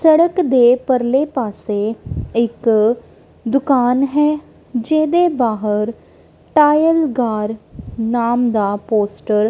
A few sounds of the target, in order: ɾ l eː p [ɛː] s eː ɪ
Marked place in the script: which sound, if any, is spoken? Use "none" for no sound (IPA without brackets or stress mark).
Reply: aː